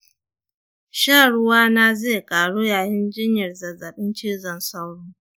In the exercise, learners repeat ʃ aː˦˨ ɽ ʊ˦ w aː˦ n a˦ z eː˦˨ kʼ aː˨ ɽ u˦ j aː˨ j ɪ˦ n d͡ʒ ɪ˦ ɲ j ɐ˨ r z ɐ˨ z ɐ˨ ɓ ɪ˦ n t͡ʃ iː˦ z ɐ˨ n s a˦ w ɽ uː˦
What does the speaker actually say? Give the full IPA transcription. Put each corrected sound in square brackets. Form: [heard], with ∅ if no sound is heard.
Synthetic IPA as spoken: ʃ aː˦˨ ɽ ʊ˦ w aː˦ n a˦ z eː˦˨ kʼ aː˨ ɽ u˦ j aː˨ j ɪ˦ n d͡ʒ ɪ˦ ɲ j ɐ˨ r z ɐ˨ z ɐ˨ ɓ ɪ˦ n t͡ʃ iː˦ z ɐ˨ n s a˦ w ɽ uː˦